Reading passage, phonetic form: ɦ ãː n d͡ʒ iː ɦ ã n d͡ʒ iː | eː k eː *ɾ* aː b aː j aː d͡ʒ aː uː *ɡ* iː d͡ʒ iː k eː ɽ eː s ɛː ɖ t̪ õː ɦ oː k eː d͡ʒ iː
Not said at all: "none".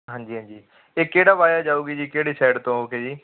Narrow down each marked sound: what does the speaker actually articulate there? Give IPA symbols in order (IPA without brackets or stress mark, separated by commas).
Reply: ɽ, ɡ